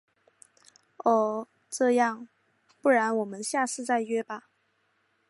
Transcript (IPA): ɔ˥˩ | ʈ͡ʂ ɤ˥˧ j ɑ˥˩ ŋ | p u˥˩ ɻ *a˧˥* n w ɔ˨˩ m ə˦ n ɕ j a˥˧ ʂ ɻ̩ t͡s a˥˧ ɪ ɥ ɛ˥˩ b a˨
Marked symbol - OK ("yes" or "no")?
yes